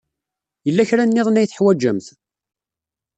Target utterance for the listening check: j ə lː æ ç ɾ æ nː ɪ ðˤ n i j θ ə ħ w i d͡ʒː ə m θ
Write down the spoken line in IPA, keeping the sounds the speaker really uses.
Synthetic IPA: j ə lː æ ç ɾ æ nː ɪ ðˤ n æ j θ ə ħ w æ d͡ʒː ə m θ